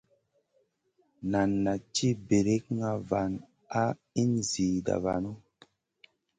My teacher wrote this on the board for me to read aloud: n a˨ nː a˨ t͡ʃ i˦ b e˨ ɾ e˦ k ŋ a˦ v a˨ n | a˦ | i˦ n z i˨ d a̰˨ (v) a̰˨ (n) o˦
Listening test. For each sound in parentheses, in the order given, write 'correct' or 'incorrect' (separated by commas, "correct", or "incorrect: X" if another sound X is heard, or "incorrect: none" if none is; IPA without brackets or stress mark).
correct, correct